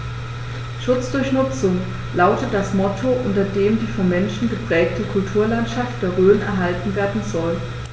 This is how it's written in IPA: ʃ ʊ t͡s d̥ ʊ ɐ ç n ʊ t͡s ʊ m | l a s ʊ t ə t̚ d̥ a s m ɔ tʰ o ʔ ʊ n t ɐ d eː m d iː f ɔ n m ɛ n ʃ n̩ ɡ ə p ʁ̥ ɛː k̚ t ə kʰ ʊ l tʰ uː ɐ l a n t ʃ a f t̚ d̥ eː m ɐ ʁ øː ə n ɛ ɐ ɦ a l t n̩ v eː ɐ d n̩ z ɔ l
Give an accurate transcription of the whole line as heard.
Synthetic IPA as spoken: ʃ ʊ t͡s d̥ ʊ ɐ ç n ʊ t͡s ʊ ŋ | l a ʊ t ə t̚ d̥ a s m ɔ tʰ o ʔ ʊ n t ɐ d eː m d iː f ɔ n m ɛ n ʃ n̩ ɡ ə p ʁ̥ ɛː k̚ t ə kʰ ʊ l tʰ uː ɐ l a n t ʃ a f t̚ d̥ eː ɐ ʁ øː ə n ɛ ɐ ɦ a l t n̩ v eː ɐ d n̩ z ɔ l